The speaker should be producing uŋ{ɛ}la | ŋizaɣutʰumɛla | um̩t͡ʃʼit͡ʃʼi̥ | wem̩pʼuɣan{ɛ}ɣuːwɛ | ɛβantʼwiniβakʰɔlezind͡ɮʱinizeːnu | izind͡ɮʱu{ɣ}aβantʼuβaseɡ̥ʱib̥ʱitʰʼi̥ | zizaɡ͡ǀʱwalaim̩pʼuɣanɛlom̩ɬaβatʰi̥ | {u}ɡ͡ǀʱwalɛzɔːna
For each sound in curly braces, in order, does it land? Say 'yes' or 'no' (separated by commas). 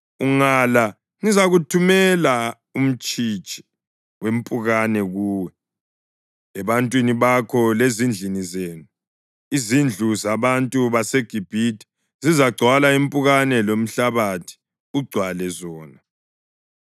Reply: no, yes, no, yes